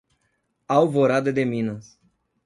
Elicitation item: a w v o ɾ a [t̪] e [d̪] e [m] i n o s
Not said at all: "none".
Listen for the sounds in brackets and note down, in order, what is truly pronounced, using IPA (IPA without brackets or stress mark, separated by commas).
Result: d̪, d̪, m